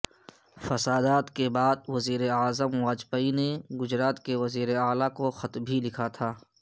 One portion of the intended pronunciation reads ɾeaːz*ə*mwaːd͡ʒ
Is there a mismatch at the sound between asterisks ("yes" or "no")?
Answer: no